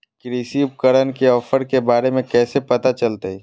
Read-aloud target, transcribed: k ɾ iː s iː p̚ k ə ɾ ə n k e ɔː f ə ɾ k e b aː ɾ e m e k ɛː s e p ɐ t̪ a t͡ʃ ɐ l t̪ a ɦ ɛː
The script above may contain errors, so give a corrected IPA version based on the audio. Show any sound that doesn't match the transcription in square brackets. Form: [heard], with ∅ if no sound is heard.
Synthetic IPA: k ɾ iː s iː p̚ k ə ɾ ə n k e ɔː f ə ɾ k e b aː ɾ e m [ẽ] k ɛː s e p ɐ t̪ a t͡ʃ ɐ l t̪ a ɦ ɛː